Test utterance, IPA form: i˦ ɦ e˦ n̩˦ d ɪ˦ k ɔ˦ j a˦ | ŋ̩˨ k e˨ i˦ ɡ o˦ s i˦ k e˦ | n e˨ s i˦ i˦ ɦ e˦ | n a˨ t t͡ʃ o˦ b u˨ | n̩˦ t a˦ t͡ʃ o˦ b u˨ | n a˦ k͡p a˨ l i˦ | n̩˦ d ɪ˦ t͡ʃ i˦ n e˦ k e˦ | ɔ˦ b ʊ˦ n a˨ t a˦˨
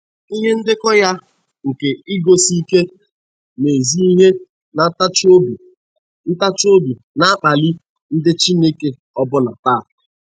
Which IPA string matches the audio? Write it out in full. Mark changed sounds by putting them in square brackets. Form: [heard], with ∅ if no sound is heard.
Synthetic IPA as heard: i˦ ɦ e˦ n̩˦ d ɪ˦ k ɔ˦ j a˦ | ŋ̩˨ k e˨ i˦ ɡ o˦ s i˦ k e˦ | n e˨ [z] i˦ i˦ ɦ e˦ | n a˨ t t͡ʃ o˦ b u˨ | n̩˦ t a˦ t͡ʃ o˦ b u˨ | n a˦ k͡p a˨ l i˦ | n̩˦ d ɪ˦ t͡ʃ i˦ n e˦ k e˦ | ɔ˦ b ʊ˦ n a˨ t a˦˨